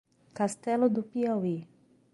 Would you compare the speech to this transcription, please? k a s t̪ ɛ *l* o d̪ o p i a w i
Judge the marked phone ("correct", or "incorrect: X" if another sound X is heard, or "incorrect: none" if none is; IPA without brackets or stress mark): correct